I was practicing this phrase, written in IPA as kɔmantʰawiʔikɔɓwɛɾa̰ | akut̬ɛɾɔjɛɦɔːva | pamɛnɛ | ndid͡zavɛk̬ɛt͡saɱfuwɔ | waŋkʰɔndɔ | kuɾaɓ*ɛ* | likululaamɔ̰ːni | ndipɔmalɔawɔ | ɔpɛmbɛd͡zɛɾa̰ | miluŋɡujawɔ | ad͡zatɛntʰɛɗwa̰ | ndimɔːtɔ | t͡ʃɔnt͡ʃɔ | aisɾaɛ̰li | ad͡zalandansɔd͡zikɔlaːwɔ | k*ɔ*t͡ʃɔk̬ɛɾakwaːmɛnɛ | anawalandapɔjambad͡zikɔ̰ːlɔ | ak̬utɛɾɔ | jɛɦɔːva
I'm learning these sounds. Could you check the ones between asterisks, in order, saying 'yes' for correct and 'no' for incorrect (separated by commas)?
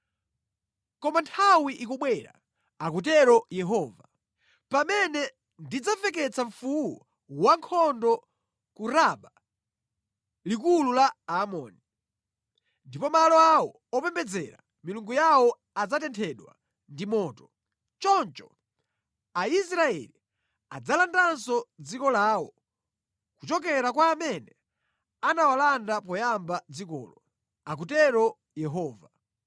no, no